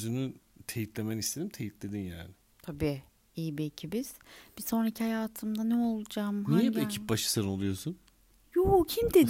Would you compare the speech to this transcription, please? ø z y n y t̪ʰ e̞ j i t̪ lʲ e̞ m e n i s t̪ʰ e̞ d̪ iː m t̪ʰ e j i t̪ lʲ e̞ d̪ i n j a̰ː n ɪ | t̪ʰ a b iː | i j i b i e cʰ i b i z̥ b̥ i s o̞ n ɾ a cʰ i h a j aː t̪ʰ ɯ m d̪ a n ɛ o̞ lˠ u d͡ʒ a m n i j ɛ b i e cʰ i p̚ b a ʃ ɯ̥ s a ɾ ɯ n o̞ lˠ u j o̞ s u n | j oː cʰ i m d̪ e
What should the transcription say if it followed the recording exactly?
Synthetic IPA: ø z y n y t̪ʰ e̞ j i t̪ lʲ e̞ m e n i s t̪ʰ e̞ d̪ i m t̪ʰ e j i t̪ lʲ e̞ d̪ i n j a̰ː n ɪ | t̪ʰ a b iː | i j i b i e cʰ i b i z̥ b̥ i s o̞ n ɾ a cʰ i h a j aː t̪ʰ ɯ m d̪ a n ɛ o̞ lˠ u d͡ʒ a m n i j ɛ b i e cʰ i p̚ b a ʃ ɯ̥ s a ɾ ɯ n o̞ lˠ u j o̞ s u n | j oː cʰ i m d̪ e